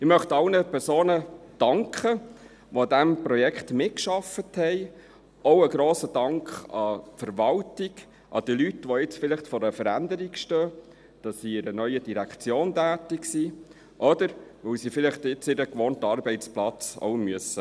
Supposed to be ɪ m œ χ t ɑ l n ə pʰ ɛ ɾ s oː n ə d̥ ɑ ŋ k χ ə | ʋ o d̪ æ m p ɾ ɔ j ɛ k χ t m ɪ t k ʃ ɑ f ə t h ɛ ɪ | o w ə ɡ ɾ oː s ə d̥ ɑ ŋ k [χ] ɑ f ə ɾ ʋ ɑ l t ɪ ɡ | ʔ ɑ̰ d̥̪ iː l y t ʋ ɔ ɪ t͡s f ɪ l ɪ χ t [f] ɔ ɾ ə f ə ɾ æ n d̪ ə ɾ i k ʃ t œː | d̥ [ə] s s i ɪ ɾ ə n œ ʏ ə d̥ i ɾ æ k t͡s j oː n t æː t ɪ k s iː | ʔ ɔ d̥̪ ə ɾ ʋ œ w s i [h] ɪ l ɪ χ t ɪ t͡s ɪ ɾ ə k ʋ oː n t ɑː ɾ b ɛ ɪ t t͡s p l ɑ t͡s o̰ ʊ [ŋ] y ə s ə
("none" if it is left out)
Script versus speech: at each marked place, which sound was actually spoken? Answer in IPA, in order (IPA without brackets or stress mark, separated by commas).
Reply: χ, f, ɑ, f, m